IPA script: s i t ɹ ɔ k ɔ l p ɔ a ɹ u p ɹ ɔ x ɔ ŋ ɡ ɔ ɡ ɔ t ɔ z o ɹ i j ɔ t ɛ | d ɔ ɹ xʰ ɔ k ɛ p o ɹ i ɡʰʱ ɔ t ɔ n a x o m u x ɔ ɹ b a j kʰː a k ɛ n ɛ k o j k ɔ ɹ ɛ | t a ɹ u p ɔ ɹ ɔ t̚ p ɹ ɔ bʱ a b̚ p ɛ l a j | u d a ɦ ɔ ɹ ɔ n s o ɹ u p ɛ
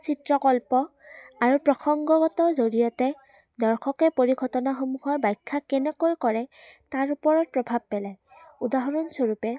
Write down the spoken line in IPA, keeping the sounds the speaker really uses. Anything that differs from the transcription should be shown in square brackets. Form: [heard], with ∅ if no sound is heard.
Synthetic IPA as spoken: s i t ɹ ɔ k ɔ l p ɔ a ɹ u p ɹ ɔ x ɔ ŋ ɡ ɔ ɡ ɔ t ɔ z o ɹ i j ɔ t ɛ | d ɔ ɹ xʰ ɔ k ɛ p o ɹ i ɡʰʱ ɔ t ɔ n a x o m u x ɔ ɹ b a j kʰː a k ɛ n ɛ k o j k ɔ ɹ ɛ | t a ɹ u p ɔ ɹ ɔ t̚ p ɹ ɔ bʱ a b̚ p ɛ l a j | u d a ɦ ɔ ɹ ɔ n s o ɹ u p ɛ